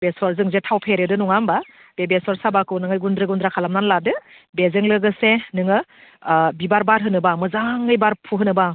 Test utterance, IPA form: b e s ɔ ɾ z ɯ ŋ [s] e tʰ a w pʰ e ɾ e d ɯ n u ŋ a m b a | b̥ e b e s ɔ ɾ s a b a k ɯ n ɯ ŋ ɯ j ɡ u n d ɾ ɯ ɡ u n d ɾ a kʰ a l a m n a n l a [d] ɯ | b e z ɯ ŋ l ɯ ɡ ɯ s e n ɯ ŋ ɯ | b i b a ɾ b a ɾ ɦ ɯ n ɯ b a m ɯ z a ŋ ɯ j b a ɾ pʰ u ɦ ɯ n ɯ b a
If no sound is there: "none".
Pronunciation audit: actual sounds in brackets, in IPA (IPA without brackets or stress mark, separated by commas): z, d